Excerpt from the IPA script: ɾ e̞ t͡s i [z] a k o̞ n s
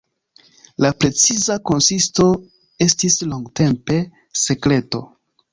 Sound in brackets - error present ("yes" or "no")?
no